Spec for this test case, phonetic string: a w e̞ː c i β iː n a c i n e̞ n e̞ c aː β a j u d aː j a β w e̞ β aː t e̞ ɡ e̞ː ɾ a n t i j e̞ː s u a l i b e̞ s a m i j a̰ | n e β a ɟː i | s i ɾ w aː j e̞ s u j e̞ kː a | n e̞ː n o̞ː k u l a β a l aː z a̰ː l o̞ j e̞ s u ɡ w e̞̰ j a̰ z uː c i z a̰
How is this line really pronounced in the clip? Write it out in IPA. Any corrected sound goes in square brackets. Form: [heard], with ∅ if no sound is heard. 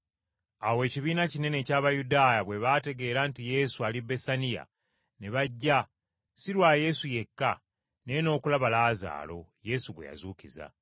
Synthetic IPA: a w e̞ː c i β iː n a c i n e̞ n e̞ c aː β a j u d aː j a β w e̞ β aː t e̞ ɡ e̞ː ɾ a n t i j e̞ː s u a l i b e̞ s a [n] i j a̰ | n e β a ɟː [a] | s i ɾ w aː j e̞ s u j e̞ kː a | n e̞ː n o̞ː k u l a β a l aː z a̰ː l o̞ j e̞ s u ɡ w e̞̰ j a̰ z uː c i z a̰